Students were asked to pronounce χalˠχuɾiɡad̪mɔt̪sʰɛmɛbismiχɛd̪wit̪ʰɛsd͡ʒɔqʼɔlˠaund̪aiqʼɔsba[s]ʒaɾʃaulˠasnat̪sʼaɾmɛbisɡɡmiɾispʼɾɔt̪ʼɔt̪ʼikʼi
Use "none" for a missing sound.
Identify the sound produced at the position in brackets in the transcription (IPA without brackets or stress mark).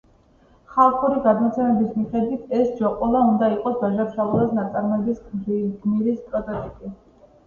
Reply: none